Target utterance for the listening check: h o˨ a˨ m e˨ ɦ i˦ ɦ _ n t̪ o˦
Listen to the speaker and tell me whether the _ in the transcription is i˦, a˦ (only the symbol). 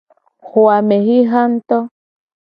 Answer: a˦